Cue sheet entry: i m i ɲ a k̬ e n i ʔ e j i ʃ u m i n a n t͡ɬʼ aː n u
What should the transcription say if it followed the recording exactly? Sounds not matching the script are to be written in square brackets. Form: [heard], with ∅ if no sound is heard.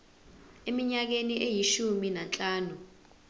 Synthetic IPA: [e] m i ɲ a k̬ e n i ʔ e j i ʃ u m i n a n t͡ɬʼ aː n u

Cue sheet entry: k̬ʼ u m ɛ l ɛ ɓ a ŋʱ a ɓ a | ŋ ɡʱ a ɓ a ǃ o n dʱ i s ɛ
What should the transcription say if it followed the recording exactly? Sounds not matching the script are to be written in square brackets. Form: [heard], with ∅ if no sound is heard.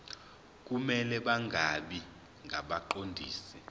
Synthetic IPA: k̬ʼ u m ɛ l ɛ ɓ a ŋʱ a ɓ [i] | ŋ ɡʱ a ɓ a ǃ o n dʱ [iː] s ɛ

